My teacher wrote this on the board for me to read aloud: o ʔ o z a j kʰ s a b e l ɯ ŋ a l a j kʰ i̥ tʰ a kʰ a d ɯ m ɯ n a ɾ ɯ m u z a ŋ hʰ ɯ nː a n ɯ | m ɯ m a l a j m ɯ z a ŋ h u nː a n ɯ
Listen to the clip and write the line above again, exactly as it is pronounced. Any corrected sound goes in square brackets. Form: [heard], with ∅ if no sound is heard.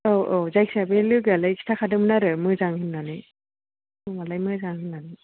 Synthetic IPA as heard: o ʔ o z a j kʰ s a b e l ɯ [ɡ] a l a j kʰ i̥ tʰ a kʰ a d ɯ m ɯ n a ɾ ɯ m [ɯ] z a ŋ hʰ ɯ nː a n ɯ | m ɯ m a l a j m ɯ z a ŋ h [ɯ] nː a n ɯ